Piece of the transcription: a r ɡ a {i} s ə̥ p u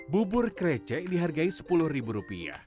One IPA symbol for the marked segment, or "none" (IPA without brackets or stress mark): i